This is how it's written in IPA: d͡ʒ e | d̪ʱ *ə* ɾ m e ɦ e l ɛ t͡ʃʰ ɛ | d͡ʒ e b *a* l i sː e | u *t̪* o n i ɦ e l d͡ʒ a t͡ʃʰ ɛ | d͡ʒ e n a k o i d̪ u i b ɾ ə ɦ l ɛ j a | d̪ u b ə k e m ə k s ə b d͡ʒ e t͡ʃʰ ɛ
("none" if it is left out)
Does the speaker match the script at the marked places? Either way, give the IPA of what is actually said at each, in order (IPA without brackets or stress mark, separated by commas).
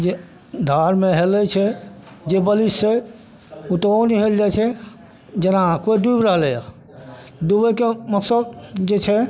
a, ə, t̪